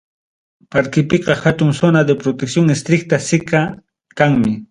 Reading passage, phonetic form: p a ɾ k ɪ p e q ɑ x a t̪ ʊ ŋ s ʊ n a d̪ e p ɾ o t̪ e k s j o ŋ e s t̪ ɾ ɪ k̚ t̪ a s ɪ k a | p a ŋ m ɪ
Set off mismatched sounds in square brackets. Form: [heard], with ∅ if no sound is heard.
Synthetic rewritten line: p a ɾ k ɪ p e q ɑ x a t̪ ʊ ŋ s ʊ n a d̪ e p ɾ o t̪ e k s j o ŋ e s t̪ ɾ ɪ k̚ t̪ a s ɪ k a | [k] a ŋ m ɪ